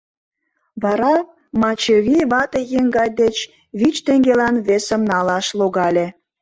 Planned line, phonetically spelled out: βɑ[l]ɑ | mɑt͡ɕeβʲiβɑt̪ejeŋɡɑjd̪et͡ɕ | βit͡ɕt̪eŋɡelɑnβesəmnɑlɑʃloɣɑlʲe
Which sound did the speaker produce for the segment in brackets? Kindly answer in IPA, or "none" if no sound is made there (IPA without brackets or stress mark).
ɾ